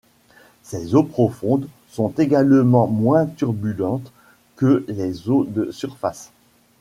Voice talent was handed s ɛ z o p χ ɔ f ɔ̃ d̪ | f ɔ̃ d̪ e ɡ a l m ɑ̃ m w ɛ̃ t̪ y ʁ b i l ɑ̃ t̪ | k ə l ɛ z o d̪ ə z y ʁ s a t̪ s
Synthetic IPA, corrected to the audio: s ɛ z o p χ ɔ f ɔ̃ d̪ | s ɔ̃ t̪ e ɡ a l m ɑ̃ m w ɛ̃ t̪ y ʁ b y l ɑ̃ t̪ | k ə l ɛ z o d̪ ə s y ʁ f a s